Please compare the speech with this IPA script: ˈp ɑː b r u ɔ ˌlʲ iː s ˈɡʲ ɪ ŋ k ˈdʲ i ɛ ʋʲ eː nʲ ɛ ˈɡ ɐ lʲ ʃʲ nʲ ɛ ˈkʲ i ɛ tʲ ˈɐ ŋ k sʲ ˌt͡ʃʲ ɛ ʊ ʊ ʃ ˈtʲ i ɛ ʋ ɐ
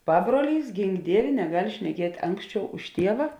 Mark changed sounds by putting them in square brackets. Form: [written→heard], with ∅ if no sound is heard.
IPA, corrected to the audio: ˈp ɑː b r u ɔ ˌlʲ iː s ˈɡʲ ɪ ŋ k ˈdʲ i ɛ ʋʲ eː nʲ ɛ ˈɡ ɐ lʲ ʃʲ nʲ ɛ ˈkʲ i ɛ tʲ ˈɐ ŋ k sʲ ˌt͡ʃʲ ɛ ʊ ʊ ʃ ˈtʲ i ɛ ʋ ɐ